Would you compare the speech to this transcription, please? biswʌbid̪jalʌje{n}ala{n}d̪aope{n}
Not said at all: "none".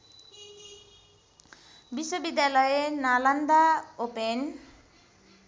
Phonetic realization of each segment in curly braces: n, n, n

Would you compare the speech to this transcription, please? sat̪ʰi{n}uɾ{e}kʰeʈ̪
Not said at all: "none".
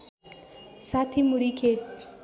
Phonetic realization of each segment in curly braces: m, i

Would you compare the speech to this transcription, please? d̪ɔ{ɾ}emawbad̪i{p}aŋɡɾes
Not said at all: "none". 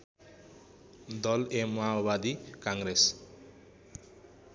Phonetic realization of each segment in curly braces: l, k

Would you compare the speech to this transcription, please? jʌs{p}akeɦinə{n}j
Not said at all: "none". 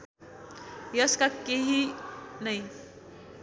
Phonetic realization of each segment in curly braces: k, none

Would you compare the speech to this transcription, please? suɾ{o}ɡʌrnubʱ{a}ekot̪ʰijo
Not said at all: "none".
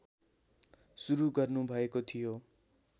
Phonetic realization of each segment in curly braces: u, ʌ

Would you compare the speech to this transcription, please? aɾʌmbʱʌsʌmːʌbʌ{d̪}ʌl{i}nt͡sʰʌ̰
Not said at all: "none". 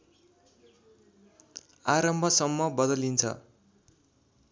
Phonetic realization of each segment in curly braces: d̪, i

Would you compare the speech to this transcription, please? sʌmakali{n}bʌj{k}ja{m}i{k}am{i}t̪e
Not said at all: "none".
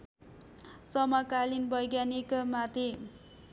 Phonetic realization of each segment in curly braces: n, ɡ, n, k, a

